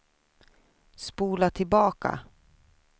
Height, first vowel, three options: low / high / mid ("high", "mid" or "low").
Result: high